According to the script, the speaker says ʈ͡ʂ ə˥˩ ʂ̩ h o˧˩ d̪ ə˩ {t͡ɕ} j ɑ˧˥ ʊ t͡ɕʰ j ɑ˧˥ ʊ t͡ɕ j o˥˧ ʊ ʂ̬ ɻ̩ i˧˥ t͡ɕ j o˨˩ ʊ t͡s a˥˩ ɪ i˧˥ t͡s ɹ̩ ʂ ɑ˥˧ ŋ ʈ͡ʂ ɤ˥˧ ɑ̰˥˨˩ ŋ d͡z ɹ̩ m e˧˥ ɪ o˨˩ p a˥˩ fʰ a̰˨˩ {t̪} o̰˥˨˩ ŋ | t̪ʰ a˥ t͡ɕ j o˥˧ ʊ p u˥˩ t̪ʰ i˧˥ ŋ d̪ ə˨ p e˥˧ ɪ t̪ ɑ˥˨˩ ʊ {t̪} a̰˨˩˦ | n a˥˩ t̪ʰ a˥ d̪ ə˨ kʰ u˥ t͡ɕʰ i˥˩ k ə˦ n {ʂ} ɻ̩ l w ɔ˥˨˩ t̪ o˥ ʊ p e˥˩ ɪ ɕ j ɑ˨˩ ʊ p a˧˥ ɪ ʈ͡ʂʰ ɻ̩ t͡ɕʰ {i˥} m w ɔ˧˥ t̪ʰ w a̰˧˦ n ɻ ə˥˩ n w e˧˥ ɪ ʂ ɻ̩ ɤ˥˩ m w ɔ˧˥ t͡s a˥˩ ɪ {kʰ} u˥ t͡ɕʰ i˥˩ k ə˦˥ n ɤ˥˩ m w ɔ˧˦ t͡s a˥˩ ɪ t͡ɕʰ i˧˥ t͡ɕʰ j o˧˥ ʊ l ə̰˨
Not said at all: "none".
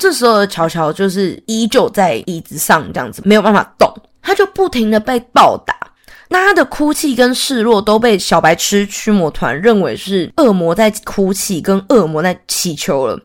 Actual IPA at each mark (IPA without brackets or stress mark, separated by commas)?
t͡ɕʰ, t̪, t̪, ʂ, y˥, kʰ